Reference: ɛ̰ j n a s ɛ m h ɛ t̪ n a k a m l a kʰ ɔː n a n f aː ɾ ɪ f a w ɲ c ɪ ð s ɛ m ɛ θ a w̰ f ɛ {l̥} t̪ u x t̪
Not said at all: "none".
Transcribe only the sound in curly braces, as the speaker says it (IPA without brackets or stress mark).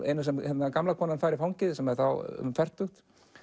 r̥